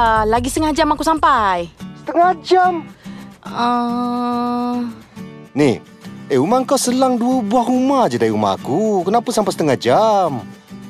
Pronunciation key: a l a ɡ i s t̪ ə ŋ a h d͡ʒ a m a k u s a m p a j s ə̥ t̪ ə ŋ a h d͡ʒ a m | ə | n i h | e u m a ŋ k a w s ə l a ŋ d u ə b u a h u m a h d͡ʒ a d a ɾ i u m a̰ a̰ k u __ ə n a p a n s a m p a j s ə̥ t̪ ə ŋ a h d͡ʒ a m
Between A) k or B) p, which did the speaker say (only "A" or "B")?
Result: A